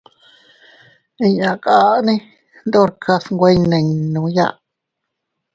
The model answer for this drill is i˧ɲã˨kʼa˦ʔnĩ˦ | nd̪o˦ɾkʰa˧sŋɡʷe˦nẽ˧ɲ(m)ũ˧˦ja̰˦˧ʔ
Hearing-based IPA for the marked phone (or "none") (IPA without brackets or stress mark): n